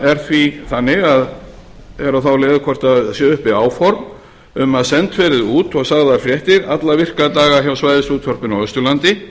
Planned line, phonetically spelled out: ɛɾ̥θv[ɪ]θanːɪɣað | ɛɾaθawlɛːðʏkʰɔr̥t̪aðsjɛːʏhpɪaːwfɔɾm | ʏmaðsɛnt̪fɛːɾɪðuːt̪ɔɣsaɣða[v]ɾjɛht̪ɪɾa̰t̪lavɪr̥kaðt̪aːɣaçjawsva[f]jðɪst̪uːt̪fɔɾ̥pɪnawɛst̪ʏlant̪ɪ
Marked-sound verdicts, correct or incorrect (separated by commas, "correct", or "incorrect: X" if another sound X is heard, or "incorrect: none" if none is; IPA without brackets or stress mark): incorrect: i, incorrect: f, incorrect: none